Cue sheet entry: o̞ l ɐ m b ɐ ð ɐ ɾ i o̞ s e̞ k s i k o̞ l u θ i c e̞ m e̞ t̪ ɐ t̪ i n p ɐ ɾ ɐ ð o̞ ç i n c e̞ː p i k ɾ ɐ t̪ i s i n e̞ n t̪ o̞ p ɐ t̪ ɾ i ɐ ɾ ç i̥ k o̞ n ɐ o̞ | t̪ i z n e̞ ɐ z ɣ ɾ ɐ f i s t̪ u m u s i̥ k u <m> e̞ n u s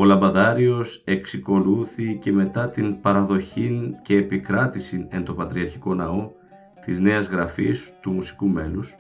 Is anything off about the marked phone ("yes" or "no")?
no